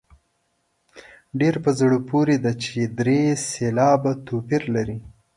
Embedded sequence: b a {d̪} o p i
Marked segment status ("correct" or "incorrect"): incorrect